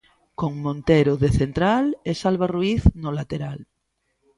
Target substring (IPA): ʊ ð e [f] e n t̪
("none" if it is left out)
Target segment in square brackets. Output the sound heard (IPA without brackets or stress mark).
θ